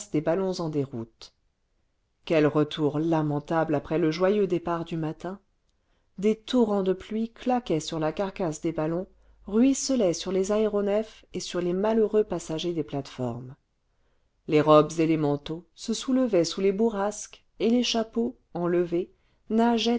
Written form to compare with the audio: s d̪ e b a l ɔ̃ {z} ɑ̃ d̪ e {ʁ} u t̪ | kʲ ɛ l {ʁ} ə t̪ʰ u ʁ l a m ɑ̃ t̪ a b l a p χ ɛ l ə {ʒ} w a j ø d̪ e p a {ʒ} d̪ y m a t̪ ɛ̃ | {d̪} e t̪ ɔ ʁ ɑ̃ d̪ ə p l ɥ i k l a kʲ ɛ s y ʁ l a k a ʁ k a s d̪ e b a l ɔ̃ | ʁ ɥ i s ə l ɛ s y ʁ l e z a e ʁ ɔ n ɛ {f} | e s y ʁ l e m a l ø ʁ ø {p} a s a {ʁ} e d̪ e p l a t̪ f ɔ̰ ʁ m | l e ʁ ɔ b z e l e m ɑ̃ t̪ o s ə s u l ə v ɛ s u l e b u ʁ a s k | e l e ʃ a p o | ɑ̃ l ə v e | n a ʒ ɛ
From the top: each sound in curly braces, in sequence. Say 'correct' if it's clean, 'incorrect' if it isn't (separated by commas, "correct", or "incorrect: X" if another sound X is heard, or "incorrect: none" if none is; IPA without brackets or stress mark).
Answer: correct, correct, correct, correct, incorrect: ʁ, correct, correct, correct, incorrect: ʒ